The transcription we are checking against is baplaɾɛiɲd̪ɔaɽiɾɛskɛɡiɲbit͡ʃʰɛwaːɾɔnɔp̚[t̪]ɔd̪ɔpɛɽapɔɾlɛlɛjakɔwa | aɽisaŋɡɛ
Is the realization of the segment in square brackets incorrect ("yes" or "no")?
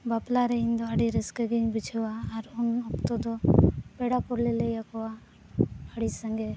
no